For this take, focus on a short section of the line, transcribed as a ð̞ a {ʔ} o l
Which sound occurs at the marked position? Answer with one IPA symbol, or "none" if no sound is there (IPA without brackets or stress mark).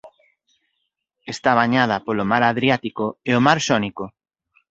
p